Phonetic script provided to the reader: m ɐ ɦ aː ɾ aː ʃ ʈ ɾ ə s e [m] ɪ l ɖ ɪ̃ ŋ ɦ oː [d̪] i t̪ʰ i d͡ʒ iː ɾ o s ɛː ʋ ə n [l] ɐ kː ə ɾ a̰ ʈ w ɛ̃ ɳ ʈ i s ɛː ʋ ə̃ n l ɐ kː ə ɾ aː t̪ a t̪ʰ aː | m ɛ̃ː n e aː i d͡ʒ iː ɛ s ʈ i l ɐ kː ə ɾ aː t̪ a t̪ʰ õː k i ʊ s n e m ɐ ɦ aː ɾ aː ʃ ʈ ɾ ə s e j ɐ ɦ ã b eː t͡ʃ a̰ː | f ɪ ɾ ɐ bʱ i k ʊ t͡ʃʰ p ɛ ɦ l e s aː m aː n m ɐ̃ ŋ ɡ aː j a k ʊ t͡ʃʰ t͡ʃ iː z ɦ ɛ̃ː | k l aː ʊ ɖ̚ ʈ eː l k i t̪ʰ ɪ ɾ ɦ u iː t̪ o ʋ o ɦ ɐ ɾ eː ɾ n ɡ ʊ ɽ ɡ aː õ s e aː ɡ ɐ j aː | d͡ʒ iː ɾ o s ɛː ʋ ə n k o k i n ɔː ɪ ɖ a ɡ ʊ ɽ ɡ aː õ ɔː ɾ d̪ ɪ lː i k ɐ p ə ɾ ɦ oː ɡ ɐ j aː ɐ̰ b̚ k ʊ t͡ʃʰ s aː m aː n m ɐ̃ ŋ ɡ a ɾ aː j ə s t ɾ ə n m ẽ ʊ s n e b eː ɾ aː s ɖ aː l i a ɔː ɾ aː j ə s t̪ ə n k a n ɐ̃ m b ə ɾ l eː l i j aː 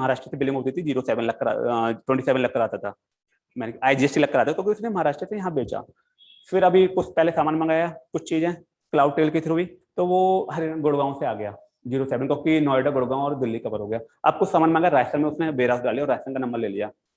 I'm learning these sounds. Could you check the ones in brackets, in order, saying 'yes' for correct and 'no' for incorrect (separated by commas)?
no, no, yes